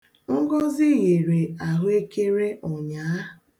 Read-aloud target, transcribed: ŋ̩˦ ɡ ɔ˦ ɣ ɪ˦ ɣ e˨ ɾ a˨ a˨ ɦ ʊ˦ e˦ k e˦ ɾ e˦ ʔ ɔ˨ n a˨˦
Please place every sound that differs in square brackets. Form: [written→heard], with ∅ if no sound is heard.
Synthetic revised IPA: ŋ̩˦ ɡ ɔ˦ [ɣ→z] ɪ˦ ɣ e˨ ɾ [a˨→e˨] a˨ ɦ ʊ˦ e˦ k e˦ ɾ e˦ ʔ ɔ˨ [n→ɲ] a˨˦